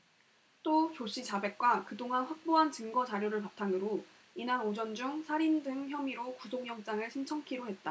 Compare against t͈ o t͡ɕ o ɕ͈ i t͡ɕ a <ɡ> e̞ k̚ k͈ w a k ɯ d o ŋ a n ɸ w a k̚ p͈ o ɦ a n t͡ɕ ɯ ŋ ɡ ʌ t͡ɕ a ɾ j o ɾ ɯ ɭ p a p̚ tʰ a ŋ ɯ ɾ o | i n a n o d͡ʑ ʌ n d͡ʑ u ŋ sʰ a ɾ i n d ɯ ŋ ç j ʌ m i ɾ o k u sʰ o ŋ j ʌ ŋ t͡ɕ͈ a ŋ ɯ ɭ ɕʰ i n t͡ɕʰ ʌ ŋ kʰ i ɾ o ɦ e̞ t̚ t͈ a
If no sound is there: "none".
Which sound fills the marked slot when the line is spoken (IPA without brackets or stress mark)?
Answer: b